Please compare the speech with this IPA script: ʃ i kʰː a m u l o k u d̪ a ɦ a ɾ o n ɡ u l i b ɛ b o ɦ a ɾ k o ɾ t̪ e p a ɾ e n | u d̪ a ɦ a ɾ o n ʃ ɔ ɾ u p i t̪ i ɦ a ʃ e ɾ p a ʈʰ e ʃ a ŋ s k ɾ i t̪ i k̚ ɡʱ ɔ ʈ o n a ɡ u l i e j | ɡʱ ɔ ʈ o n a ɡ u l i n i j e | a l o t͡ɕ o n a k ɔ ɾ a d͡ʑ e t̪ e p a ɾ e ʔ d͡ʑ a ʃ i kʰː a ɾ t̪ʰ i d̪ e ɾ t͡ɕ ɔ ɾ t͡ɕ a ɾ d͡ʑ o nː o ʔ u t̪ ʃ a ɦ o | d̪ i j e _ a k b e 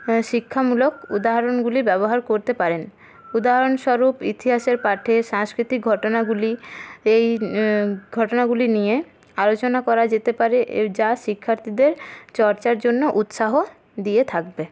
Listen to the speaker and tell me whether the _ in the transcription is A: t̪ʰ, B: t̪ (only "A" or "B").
A